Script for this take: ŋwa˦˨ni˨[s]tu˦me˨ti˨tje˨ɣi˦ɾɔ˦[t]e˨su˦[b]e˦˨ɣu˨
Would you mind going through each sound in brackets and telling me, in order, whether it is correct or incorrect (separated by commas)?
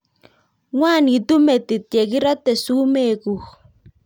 incorrect, correct, incorrect